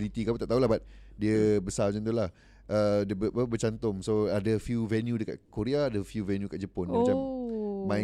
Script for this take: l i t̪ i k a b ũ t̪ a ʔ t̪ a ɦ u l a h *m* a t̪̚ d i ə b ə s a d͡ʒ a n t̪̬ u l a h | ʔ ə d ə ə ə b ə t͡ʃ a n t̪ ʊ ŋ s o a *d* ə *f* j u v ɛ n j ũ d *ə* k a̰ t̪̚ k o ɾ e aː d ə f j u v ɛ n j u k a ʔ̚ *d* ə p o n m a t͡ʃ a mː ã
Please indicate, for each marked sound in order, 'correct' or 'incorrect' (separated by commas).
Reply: incorrect, correct, correct, correct, incorrect